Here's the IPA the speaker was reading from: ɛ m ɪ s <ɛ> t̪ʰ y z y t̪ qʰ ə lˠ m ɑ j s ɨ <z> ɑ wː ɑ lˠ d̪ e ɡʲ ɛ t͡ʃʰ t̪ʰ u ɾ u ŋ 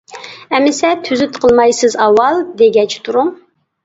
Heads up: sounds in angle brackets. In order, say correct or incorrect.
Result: correct, correct

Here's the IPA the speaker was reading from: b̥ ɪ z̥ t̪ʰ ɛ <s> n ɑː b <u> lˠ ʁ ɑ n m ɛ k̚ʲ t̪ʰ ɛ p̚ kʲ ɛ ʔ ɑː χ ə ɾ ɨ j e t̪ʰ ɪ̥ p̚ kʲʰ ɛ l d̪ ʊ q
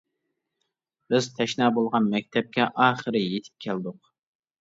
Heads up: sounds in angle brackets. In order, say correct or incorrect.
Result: incorrect, incorrect

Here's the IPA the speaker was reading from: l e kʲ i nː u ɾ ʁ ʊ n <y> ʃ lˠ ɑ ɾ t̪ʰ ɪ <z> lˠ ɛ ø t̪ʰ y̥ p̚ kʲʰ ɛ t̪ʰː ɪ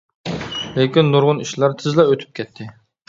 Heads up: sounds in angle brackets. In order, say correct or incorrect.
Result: incorrect, correct

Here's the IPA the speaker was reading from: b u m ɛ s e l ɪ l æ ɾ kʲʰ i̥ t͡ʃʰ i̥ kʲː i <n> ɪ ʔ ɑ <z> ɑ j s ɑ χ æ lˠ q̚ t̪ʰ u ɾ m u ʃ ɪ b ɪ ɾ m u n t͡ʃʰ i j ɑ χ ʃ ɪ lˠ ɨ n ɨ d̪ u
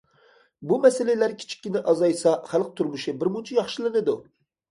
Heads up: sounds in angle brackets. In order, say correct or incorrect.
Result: correct, correct

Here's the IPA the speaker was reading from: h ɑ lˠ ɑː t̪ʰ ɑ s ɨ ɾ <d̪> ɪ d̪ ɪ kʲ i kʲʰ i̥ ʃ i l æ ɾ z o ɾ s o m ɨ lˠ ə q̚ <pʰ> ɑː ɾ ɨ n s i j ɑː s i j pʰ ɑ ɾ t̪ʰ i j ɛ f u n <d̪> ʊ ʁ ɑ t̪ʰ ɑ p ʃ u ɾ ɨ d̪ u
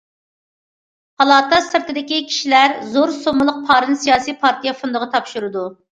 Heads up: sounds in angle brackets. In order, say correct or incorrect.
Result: incorrect, correct, correct

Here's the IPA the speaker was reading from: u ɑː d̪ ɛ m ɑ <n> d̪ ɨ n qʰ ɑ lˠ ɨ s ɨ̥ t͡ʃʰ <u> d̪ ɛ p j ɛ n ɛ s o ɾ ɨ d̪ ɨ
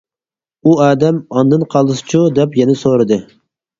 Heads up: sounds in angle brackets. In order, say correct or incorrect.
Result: correct, correct

